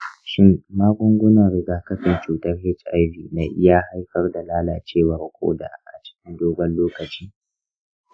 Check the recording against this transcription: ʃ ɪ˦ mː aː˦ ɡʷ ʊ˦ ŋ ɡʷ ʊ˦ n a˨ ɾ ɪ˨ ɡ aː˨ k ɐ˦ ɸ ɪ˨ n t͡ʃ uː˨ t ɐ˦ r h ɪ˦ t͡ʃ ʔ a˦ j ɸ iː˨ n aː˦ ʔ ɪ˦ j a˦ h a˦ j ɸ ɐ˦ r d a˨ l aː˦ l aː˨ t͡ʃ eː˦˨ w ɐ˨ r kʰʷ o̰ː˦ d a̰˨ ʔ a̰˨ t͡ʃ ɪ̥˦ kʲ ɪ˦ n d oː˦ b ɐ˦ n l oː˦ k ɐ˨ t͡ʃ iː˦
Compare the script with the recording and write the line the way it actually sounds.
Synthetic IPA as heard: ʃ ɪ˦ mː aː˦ ɡʷ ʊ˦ ŋ ɡʷ ʊ˦ n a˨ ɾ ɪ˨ ɡ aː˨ k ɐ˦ ɸ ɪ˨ n t͡ʃ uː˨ t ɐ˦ r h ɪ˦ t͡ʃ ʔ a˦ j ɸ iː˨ n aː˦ ʔ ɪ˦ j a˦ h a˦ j ɸ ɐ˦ r d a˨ l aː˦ l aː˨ t͡ʃ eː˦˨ w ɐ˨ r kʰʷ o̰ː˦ d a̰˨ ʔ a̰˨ t͡ʃ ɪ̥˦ kʲ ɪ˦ n d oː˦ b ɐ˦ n l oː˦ k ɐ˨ t͡ʃ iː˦